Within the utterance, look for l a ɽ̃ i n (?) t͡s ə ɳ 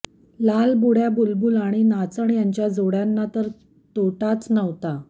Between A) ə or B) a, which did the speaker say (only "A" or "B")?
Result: B